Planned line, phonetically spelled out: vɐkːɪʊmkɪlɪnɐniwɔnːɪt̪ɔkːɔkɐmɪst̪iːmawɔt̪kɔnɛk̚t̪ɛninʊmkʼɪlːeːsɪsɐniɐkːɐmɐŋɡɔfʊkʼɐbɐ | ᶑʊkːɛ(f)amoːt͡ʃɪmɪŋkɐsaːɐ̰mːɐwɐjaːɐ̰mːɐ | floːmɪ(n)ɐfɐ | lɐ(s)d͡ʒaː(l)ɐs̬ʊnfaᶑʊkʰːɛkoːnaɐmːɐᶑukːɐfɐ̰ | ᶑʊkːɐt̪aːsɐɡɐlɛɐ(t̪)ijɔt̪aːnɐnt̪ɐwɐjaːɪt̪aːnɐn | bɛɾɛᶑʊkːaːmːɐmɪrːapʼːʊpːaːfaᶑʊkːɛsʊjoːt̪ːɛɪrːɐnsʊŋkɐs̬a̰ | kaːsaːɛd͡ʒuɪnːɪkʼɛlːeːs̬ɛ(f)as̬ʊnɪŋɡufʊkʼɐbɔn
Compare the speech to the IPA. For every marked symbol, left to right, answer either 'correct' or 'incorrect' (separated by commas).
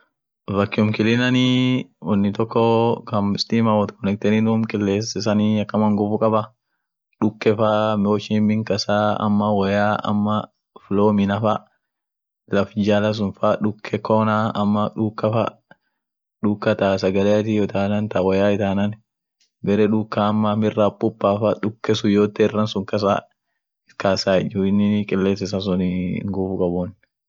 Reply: correct, correct, incorrect, correct, correct, incorrect